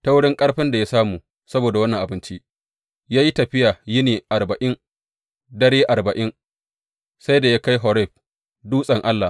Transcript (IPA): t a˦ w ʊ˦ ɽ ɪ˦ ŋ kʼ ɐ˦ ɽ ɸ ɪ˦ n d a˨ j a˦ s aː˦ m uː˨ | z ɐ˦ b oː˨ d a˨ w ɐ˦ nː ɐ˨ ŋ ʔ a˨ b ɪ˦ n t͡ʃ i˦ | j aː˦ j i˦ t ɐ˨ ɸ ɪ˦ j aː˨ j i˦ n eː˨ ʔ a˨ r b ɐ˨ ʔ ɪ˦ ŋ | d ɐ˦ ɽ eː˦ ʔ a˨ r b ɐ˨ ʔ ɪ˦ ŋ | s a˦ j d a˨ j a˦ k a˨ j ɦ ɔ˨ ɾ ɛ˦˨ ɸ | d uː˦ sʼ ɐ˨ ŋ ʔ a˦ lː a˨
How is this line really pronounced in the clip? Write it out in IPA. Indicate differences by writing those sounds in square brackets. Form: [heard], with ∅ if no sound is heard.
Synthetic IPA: t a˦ w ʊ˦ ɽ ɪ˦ ŋ kʼ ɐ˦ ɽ ɸ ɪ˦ n d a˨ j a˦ s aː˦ m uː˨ | [s] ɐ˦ b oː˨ d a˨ w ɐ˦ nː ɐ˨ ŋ ʔ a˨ b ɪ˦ n t͡ʃ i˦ | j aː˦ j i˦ t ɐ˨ ɸ ɪ˦ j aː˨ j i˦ n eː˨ ʔ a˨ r b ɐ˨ ʔ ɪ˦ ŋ | d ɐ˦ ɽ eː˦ ʔ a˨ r b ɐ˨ ʔ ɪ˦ ŋ | s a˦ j d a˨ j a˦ k [a˦] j ɦ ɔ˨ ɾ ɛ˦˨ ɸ | d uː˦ sʼ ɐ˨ ŋ ʔ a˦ lː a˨